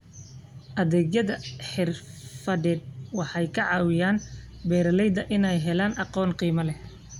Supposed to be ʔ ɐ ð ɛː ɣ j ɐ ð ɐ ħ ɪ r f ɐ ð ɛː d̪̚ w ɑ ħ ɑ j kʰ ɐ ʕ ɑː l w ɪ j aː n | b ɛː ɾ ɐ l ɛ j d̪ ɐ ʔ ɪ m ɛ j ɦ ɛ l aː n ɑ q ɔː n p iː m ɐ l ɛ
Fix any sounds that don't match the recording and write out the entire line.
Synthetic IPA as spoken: ʔ ɐ ð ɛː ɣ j ɐ ð ɐ ħ ɪ r f ɐ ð ɛː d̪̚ w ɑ ħ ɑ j kʰ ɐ ʕ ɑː w ɪ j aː n | b ɛː ɾ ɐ l ɛ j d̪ ɐ ʔ ɪ n ɛ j ɦ ɛ l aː n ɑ q ɔː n q iː m ɐ l ɛ

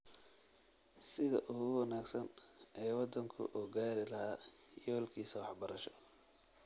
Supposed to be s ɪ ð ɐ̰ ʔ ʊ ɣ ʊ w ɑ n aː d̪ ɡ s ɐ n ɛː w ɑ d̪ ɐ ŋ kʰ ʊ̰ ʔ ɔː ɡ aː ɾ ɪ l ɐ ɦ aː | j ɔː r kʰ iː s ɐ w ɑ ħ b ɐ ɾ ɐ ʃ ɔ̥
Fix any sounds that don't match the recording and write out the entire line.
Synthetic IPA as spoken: s ɪ ð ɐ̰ ʔ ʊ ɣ ʊ w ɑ n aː ɡ s ɐ n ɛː w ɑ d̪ ɐ ŋ kʰ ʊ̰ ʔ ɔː ɡ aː ɾ ɪ l ɐ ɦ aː | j ɔː l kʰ iː s ɐ w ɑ ħ b ɐ ɾ ɐ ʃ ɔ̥

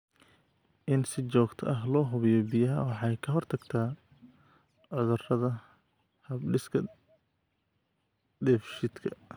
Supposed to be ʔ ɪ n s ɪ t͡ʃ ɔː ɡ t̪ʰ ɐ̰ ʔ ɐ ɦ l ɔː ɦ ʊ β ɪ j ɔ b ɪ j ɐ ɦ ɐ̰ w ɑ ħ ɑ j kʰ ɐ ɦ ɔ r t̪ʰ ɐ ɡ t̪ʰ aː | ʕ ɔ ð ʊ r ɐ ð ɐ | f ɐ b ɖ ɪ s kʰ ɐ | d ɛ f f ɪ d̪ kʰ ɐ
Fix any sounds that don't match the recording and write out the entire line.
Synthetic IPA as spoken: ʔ ɪ n s ɪ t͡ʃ ɔː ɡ t̪ʰ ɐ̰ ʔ ɐ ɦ l ɔː ɦ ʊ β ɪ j ɔ b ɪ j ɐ ɦ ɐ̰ w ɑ ħ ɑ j kʰ ɐ ɦ ɔ r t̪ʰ ɐ ɡ t̪ʰ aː | ʕ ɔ ð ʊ r ɐ ð ɐ | h ɐ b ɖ ɪ s kʰ ɐ | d ɛ f ʃ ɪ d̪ kʰ ɐ

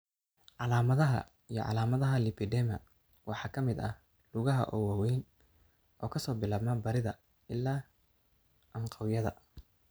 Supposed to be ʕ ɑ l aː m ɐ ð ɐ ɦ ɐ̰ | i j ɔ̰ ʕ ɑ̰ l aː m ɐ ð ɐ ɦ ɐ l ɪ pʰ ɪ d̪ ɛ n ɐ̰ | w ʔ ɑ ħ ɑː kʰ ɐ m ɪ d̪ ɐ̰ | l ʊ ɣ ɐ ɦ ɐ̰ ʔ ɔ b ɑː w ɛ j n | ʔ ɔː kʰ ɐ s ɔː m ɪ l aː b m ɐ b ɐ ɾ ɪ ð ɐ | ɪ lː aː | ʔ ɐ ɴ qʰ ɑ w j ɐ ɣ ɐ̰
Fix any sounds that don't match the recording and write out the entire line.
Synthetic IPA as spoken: ʕ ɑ l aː m ɐ ð ɐ ɦ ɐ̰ | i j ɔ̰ ʕ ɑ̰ l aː m ɐ ð ɐ ɦ ɐ l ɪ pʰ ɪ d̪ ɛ m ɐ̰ | w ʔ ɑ ħ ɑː kʰ ɐ m ɪ d̪ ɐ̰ | l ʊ ɣ ɐ ɦ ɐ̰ ʔ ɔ w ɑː w ɛ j n | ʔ ɔː kʰ ɐ s ɔː b ɪ l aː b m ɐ b ɐ ɾ ɪ ð ɐ | ɪ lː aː | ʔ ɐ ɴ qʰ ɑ w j ɐ ð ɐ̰

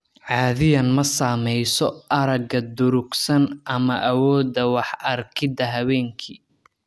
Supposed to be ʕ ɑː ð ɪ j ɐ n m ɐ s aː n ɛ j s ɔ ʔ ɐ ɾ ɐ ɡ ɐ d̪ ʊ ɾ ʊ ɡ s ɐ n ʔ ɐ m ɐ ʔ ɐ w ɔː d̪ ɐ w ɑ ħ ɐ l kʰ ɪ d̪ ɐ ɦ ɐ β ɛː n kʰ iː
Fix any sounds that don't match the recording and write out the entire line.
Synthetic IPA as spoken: ʕ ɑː ð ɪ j ɐ n m ɐ s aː m ɛ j s ɔ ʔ ɐ ɾ ɐ ɡ ɐ d̪ ʊ ɾ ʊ ɡ s ɐ n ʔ ɐ m ɐ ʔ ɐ w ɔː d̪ ɐ w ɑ ħ ɐ r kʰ ɪ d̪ ɐ ɦ ɐ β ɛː ŋ kʰ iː

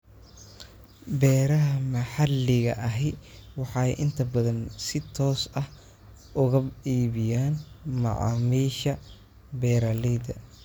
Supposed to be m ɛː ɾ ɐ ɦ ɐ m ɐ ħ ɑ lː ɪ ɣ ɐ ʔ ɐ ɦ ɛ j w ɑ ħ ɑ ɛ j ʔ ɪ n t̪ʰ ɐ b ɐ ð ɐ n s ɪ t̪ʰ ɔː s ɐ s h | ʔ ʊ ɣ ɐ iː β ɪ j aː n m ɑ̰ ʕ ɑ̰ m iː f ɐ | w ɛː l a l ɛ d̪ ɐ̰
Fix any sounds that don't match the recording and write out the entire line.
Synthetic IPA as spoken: b ɛː ɾ ɐ ɦ ɐ m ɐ ħ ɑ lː ɪ ɣ ɐ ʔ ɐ ɦ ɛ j w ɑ ħ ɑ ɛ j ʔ ɪ n t̪ʰ ɐ b ɐ ð ɐ n s ɪ t̪ʰ ɔː s ɐ h | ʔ ʊ ɣ ɐ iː β ɪ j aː n m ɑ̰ ʕ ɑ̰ m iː ʃ ɐ | b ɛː ɾ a l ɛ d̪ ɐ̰

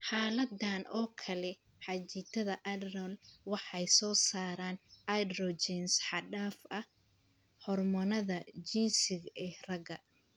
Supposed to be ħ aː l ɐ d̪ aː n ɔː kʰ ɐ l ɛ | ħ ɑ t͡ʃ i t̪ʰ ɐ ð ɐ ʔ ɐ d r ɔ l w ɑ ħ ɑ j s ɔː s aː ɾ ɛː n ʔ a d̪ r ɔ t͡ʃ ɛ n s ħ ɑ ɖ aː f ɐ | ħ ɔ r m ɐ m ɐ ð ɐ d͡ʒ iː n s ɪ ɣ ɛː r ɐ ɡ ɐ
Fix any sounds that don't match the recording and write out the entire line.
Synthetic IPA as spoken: ħ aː l ɐ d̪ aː n ɔː kʰ ɐ l ɛ | ħ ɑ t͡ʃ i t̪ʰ ɐ ð ɐ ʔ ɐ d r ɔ l w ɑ ħ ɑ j s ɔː s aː ɾ aː n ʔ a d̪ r ɔ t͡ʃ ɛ n s ħ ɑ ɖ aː f ɐ | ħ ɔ r m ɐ n ɐ ð ɐ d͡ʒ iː n s ɪ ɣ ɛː r ɐ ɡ ɐ

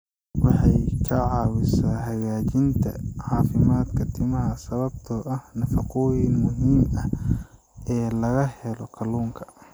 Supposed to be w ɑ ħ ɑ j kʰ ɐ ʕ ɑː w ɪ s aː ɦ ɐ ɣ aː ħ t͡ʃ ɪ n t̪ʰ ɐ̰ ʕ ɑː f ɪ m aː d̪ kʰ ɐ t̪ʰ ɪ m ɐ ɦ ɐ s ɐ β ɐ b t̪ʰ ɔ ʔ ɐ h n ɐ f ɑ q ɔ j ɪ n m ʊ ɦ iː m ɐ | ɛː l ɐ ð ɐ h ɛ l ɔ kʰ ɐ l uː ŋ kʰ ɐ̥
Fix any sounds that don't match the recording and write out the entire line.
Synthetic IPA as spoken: w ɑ ħ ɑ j kʰ ɐ ʕ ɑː w ɪ s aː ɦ ɐ ɣ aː t͡ʃ ɪ n t̪ʰ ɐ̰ ʕ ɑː f ɪ m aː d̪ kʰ ɐ t̪ʰ ɪ m ɐ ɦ ɐ s ɐ β ɐ b t̪ʰ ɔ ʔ ɐ h n ɐ f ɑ q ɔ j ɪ n m ʊ ɦ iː m ɐ | ɛː l ɐ ɣ ɐ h ɛ l ɔ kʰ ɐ l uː ŋ kʰ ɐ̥

